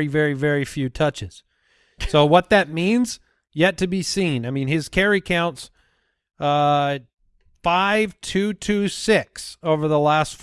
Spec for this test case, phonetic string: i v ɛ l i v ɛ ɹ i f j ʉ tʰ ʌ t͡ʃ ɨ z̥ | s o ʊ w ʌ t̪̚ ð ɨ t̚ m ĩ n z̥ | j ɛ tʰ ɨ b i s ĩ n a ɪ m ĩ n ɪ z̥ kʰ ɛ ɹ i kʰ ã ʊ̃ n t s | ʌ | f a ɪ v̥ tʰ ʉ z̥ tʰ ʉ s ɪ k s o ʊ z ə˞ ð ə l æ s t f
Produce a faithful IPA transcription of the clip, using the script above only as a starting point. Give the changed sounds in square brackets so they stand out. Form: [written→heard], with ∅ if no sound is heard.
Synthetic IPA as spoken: i v ɛ [l→ɹ] i v ɛ ɹ i f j ʉ tʰ ʌ t͡ʃ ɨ z̥ | s o ʊ w ʌ t̪̚ ð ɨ t̚ m ĩ n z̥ | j ɛ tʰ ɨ b i s ĩ n a ɪ m ĩ n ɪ z̥ kʰ ɛ ɹ i kʰ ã ʊ̃ n t s | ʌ | f a ɪ v̥ tʰ ʉ [z̥→∅] tʰ ʉ s ɪ k s o ʊ [z→v] ə˞ ð ə l æ s t f

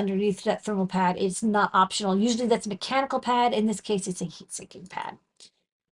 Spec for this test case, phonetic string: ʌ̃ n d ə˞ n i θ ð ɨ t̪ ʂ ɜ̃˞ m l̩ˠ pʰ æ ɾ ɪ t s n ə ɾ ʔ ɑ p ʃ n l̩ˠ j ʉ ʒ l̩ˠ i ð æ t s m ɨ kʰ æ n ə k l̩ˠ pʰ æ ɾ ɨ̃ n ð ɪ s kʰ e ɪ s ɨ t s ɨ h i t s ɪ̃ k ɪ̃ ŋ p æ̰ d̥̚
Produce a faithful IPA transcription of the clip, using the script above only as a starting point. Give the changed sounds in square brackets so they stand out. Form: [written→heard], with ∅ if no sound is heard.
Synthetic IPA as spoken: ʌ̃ n d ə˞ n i θ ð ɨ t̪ [ʂ→θ] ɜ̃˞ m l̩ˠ pʰ æ ɾ ɪ t s n ə ɾ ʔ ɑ p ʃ n l̩ˠ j ʉ ʒ l̩ˠ i ð æ t s m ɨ kʰ æ n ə k l̩ˠ pʰ æ ɾ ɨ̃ n ð ɪ s kʰ e ɪ s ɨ t s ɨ h i t s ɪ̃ k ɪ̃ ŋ [p→pʰ] æ̰ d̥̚

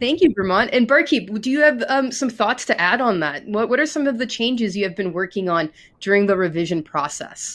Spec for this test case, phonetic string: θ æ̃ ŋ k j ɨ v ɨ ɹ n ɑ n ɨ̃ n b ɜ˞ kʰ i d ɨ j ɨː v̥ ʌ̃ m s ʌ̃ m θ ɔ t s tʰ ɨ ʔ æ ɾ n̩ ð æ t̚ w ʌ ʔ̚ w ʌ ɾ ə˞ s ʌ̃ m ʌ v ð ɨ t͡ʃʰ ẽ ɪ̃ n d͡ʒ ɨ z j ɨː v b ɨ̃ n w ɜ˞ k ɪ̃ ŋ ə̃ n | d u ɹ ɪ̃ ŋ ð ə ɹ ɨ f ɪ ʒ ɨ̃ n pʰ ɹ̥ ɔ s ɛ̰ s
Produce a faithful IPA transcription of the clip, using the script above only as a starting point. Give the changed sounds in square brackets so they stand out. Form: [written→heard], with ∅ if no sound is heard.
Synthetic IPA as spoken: θ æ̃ ŋ k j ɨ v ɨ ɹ [n→m] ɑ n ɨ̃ n b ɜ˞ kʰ i d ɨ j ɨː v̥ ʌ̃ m s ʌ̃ m θ ɔ t s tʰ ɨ ʔ æ ɾ n̩ ð æ t̚ w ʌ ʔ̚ w ʌ ɾ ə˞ s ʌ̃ m ʌ v ð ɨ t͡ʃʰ ẽ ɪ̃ n d͡ʒ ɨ z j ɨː v b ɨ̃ n w ɜ˞ k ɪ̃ ŋ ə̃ n | d [u→ʊ] ɹ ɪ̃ ŋ ð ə ɹ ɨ [f→v] ɪ ʒ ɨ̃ n pʰ ɹ̥ ɔ s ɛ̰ s

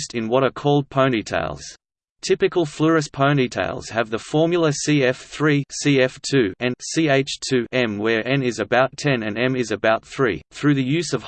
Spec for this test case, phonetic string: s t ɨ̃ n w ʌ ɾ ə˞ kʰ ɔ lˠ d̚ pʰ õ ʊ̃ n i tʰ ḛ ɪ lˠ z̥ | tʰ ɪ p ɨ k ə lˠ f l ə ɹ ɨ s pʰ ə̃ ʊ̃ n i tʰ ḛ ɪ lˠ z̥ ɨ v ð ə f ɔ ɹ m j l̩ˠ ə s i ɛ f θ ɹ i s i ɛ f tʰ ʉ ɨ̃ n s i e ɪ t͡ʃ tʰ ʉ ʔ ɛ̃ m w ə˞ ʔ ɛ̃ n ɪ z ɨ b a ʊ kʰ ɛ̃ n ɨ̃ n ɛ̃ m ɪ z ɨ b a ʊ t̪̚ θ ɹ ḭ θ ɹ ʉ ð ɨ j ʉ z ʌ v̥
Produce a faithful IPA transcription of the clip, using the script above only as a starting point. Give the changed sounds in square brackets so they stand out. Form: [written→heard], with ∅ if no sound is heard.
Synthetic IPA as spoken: s t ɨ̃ n w ʌ ɾ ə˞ kʰ ɔ lˠ d̚ pʰ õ ʊ̃ n i tʰ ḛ ɪ lˠ z̥ | tʰ ɪ p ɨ k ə lˠ f l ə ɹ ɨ s pʰ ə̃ ʊ̃ n i tʰ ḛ ɪ lˠ z̥ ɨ v ð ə f ɔ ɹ m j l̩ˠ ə s i ɛ f θ ɹ i s i ɛ f tʰ ʉ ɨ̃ n s i e ɪ t͡ʃ tʰ ʉ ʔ ɛ̃ m w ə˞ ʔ ɛ̃ n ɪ z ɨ b a ʊ [kʰ→tʰ] ɛ̃ n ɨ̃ n ɛ̃ m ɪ z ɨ b a ʊ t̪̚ θ ɹ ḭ θ ɹ ʉ ð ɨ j ʉ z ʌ v̥

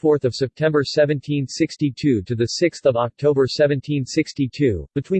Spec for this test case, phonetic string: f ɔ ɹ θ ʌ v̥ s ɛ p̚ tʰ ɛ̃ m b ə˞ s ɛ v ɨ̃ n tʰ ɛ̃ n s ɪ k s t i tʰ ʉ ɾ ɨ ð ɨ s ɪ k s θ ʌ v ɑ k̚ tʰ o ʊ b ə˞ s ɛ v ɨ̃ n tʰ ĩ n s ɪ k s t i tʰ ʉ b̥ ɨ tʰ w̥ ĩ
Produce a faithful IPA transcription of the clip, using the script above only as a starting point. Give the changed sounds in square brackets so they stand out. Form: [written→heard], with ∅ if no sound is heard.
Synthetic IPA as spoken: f ɔ ɹ θ ʌ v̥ s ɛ p̚ tʰ ɛ̃ m b ə˞ s ɛ v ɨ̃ n tʰ [ɛ̃→ĩ] n s ɪ k s t i tʰ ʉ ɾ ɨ ð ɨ s ɪ k s θ ʌ v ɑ k̚ tʰ o ʊ b ə˞ s ɛ v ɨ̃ n tʰ ĩ n s ɪ k s t i tʰ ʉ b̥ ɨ tʰ w̥ ĩ

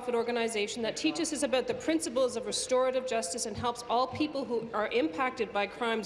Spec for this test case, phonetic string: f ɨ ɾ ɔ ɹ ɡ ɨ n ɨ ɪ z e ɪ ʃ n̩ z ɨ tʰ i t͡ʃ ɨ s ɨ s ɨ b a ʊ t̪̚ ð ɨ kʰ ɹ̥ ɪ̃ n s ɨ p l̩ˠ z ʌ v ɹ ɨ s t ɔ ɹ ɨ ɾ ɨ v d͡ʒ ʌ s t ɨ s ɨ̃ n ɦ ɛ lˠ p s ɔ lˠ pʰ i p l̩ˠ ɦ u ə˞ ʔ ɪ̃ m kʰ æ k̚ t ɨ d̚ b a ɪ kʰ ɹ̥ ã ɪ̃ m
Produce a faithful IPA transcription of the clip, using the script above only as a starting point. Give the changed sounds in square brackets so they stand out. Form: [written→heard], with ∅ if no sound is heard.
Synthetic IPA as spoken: f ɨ ɾ ɔ ɹ ɡ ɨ n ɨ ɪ z e ɪ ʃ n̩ [z→ð] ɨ tʰ i t͡ʃ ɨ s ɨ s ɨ b a ʊ t̪̚ ð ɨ [kʰ→pʰ] ɹ̥ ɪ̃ n s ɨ p l̩ˠ z ʌ v ɹ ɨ s t ɔ ɹ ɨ ɾ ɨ v d͡ʒ ʌ s t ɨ s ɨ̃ n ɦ ɛ lˠ p s ɔ lˠ pʰ i p l̩ˠ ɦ u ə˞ ʔ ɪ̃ m [kʰ→pʰ] æ k̚ t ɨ d̚ b a ɪ kʰ ɹ̥ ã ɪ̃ m

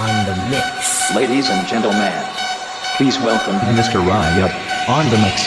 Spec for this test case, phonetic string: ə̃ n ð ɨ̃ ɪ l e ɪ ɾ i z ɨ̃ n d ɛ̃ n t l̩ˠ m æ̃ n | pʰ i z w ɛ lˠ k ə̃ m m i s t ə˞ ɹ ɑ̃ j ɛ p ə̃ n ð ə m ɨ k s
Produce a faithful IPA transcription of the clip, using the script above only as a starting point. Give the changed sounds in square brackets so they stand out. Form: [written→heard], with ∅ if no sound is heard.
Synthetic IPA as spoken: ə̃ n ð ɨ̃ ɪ l e ɪ ɾ i z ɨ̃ n [d→d͡ʒ] ɛ̃ n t l̩ˠ m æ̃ n | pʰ i z w ɛ lˠ k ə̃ m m [i→ɪ] s t ə˞ ɹ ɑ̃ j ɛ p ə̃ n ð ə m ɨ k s

